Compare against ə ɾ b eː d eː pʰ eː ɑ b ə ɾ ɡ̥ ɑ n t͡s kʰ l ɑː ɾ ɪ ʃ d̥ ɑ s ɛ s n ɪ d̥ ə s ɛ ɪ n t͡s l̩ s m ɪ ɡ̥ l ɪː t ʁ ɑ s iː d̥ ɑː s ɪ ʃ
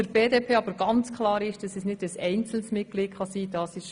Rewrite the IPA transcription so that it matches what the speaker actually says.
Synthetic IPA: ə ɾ b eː d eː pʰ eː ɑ b ə ɾ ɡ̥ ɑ n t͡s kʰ l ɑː ɾ ɪ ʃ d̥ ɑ s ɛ s n ɪ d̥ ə s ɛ ɪ n t͡s l̩ s m ɪ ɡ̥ l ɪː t χ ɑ s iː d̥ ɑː s ɪ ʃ